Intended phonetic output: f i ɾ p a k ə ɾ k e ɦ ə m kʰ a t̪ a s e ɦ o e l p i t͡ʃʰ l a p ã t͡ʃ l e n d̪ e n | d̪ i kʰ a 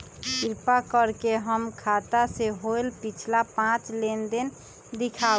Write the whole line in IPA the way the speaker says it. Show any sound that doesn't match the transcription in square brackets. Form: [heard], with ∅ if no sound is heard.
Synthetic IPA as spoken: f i ɾ p a k ə ɾ k e ɦ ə m kʰ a t̪ a s e ɦ o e l p i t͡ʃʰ l a p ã t͡ʃ l e n d̪ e n | d̪ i kʰ a